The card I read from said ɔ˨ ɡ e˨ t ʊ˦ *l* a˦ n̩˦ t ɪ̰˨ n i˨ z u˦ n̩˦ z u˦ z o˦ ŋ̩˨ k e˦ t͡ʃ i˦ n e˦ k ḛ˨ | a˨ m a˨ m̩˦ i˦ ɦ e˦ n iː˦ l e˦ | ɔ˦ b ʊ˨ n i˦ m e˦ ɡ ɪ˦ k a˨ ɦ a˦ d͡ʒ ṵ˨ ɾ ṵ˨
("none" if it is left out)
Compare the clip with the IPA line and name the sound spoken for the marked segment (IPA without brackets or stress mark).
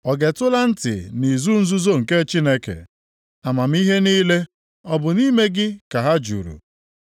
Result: l